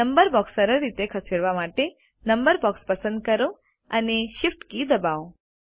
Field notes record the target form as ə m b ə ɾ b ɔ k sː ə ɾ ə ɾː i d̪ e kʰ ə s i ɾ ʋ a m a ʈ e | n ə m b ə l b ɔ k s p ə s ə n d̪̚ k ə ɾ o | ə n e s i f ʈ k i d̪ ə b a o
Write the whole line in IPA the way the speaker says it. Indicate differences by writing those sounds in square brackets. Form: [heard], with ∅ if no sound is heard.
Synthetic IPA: ə m b ə ɾ b ɔ k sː ə ɾ ə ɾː i [t̪] e kʰ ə s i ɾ ʋ a m a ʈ e | n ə m b ə [ɾ] b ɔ k s p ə s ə n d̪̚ k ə ɾ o | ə n e [ʃ] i f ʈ k i d̪ ə b a o

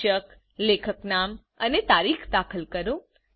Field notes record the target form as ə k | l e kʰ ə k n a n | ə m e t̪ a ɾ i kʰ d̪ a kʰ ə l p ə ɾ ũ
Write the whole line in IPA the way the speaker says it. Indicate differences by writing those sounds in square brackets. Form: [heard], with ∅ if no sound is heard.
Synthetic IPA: ə k | l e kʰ ə k n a [m] | ə [n] e t̪ a ɾ i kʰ d̪ a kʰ ə l [k] ə ɾ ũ

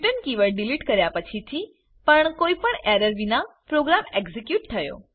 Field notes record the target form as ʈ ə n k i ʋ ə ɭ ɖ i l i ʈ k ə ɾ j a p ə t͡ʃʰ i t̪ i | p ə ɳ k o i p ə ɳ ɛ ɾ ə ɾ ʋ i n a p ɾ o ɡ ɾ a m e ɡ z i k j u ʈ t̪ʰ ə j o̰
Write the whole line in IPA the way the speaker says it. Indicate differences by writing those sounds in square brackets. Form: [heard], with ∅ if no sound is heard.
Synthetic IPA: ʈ ə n k i ʋ ə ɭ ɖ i l i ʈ k ə ɾ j a p ə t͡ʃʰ i [t̪ʰ] i | p ə ɳ k o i p ə ɳ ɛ ɾ ə ɾ ʋ i n a p ɾ o ɡ ɾ a m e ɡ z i k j u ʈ t̪ʰ ə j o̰

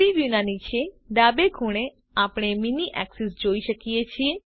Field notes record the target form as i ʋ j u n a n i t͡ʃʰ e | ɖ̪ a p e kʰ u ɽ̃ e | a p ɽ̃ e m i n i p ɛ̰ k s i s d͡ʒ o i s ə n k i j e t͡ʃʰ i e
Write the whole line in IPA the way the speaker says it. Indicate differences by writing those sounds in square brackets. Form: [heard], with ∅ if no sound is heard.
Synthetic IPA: i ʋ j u n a n i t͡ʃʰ e | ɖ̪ a [b] e kʰ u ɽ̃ e | a p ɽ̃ e m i n i [ʔ] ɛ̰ k s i s d͡ʒ o i [ʃ] ə [∅] k i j e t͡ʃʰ i e

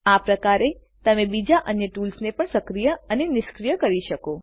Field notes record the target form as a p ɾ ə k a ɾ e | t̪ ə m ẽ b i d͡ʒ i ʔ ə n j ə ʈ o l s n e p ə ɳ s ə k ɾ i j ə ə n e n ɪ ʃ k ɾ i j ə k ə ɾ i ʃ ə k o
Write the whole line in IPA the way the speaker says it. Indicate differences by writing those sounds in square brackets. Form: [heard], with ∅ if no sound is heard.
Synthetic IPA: a p ɾ ə k a ɾ e | t̪ ə m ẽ b i d͡ʒ [a] ʔ ə n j ə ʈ [u] l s n e p ə ɳ s ə k ɾ i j ə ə n e n ɪ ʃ k ɾ i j ə k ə ɾ i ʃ ə k o

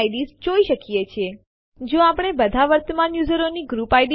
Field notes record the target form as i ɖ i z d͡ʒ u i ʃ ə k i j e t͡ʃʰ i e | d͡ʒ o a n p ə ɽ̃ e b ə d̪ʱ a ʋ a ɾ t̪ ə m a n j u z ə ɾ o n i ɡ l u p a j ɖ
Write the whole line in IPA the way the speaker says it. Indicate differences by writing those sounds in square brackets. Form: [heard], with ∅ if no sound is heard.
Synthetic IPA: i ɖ i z d͡ʒ [o] i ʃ ə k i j e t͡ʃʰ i e | d͡ʒ o a [∅] p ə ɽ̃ e b ə d̪ʱ a ʋ [ə] ɾ t̪ ə m a n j u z ə ɾ o n i ɡ [ɾ] u p a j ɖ

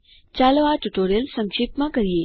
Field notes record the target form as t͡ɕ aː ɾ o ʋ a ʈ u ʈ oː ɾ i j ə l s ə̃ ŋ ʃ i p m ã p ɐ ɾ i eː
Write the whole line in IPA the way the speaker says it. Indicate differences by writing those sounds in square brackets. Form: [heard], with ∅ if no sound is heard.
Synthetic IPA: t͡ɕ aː [l] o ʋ a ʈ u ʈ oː ɾ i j ə l s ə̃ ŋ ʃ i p m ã [k] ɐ ɾ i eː

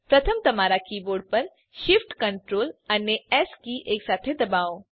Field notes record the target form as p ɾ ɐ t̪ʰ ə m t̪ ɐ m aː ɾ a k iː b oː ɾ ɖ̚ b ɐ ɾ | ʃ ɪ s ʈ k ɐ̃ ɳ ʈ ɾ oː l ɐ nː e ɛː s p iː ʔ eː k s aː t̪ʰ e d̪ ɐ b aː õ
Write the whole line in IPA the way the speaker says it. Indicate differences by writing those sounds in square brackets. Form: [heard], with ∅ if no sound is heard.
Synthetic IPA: p ɾ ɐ t̪ʰ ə m t̪ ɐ m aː ɾ a k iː b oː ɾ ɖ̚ [p] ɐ ɾ | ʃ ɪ [f] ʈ k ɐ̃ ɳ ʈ ɾ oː l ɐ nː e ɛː s [k] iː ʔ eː k s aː t̪ʰ e d̪ ɐ b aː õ

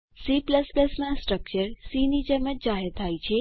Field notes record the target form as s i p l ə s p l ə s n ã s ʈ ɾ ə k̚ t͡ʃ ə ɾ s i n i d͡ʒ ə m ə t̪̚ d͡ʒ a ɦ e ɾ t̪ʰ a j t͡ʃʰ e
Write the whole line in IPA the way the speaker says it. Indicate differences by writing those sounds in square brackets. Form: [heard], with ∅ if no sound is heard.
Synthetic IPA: s i p l ə s p l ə s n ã s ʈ ɾ ə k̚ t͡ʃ ə ɾ s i n i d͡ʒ ə m ə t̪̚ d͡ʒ a ɦ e ɾ t̪ʰ a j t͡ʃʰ e

